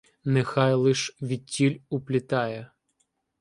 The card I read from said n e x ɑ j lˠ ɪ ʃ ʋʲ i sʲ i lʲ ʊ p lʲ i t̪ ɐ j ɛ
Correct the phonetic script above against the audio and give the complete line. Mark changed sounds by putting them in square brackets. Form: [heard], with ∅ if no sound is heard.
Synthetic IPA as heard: n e x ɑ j lˠ ɪ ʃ ʋʲ i [tʲ] i lʲ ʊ p lʲ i t̪ [ɑ] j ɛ